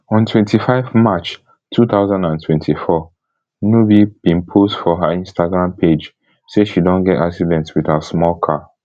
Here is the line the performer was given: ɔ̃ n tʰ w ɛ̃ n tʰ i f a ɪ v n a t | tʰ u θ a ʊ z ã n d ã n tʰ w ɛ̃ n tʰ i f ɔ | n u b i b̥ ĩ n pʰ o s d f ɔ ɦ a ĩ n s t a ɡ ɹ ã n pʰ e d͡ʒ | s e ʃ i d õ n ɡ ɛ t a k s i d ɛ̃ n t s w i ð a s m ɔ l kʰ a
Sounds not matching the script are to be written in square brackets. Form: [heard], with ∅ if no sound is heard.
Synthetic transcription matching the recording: ɔ̃ n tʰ w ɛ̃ n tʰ i f a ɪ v [m] a [t͡ʃ] | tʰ u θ a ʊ z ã n d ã n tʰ w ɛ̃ n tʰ i f ɔ | n u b i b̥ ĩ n pʰ o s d f ɔ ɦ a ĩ n s t a ɡ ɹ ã [m] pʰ e d͡ʒ | s e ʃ i d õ n ɡ ɛ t a k s i d ɛ̃ n t s w i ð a s m ɔ l kʰ a